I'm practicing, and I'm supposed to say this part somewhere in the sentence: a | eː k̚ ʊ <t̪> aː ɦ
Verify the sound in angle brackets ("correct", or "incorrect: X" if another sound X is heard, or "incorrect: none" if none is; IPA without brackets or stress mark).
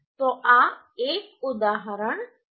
incorrect: d̪